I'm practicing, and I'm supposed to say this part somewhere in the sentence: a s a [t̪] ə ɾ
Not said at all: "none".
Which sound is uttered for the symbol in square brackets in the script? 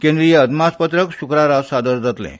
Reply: d̪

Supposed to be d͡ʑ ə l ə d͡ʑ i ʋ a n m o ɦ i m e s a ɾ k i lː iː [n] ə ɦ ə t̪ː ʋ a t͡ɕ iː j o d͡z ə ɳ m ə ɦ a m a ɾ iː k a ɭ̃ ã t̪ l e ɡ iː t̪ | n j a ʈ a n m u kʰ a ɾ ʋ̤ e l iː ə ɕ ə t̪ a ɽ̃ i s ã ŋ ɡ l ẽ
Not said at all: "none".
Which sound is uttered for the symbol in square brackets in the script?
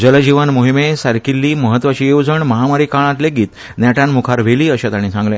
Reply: m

